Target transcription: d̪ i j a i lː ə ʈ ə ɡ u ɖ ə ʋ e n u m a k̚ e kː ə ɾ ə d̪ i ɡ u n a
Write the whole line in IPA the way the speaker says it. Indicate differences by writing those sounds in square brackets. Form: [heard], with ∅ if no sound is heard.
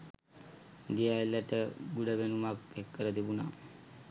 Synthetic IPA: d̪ i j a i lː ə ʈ ə ɡ u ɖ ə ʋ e n u m a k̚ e kː ə ɾ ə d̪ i [b] u n a